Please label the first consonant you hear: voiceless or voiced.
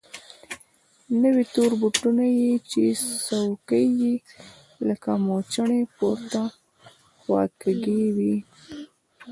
voiced